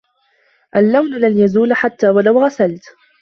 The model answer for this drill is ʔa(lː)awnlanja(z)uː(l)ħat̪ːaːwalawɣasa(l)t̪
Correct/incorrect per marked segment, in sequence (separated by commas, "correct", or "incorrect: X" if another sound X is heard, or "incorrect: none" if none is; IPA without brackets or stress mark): correct, correct, correct, correct